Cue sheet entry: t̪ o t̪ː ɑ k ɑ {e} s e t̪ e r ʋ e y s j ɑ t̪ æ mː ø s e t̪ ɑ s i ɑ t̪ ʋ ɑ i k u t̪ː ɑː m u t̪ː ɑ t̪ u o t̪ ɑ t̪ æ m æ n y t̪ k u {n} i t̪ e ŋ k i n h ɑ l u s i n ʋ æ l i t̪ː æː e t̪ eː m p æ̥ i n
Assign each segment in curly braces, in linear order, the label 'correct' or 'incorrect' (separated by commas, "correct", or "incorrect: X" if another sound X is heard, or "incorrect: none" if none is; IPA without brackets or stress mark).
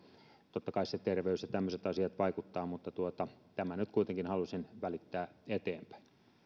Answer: incorrect: i, incorrect: none